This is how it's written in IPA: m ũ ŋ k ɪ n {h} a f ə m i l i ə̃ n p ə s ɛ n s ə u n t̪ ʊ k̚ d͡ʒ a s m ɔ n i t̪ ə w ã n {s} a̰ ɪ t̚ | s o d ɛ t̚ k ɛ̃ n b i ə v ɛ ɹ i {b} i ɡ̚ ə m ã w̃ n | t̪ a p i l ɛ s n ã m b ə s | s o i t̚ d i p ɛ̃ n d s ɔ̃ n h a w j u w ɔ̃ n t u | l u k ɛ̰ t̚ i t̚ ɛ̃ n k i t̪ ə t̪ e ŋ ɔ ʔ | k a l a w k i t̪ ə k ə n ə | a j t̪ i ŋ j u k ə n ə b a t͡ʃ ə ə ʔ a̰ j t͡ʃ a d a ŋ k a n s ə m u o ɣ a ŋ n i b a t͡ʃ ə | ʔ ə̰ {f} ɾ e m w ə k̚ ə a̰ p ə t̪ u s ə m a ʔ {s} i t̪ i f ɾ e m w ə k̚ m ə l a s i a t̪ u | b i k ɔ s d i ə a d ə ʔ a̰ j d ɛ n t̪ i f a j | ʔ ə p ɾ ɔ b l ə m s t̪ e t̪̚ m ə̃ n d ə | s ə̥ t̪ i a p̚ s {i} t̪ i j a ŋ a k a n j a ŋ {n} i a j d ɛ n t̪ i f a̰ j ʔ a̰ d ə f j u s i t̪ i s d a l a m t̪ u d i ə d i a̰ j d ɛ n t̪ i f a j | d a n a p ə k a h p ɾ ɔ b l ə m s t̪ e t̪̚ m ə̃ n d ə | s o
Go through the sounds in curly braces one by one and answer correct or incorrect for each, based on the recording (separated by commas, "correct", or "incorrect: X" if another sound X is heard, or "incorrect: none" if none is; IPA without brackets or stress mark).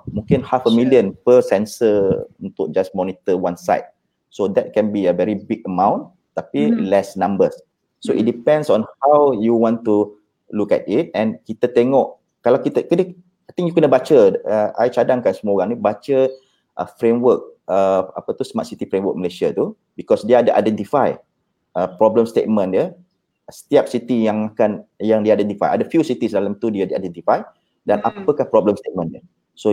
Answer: correct, correct, correct, correct, correct, correct, incorrect: d